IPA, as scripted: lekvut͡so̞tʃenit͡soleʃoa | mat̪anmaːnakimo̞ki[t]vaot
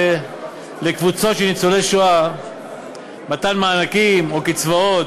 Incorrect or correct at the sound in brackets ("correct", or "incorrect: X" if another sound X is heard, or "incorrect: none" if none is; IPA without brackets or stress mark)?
incorrect: t͡s